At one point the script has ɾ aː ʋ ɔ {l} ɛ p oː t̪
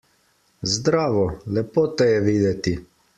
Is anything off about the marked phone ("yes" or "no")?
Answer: no